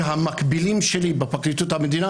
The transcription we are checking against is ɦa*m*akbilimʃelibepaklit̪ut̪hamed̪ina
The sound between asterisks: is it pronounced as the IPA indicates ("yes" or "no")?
yes